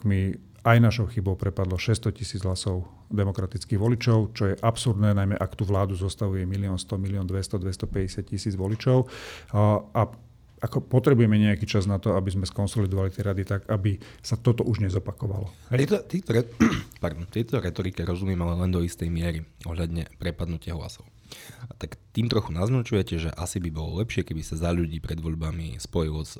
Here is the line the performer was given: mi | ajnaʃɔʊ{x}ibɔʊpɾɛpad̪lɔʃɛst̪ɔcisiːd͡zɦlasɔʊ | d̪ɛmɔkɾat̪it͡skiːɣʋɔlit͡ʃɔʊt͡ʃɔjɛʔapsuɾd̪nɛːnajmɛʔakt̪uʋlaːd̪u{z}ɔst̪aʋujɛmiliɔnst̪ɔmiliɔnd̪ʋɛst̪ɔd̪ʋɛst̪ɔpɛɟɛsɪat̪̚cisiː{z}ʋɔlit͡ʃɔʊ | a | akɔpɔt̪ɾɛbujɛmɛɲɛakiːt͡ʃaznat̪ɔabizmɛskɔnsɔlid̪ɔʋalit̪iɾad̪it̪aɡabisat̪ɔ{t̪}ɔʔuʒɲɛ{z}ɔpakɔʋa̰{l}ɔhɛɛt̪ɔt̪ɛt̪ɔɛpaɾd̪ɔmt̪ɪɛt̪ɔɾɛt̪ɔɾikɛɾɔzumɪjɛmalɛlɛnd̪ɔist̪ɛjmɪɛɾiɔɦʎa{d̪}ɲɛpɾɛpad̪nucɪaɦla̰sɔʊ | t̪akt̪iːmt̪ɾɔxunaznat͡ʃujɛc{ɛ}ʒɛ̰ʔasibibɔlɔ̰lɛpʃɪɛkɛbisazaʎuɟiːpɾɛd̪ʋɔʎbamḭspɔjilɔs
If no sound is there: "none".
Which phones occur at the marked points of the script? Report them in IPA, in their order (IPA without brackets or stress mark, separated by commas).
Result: x, z, d͡z, t̪, z, l, d̪, ɛ